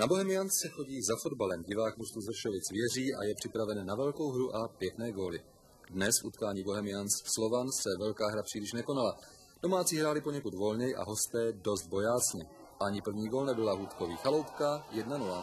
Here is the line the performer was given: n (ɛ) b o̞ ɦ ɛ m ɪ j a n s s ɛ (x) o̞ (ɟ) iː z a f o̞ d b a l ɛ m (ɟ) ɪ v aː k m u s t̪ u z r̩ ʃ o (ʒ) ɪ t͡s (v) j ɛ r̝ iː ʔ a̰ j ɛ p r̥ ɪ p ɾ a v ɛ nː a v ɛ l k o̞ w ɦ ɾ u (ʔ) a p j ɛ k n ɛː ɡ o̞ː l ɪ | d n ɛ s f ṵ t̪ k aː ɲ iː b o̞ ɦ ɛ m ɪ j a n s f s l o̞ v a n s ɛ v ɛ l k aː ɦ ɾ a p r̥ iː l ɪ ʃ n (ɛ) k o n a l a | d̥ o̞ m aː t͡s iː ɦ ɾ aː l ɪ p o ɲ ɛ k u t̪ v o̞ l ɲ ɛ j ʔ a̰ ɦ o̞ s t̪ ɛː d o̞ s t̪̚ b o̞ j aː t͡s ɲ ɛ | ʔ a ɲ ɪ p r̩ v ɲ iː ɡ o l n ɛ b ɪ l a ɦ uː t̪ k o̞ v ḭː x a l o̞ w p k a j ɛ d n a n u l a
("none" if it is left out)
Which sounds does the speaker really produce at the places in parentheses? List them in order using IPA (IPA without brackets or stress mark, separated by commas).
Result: a, x, ɟ, ɟ, v, v, ʔ, ɛ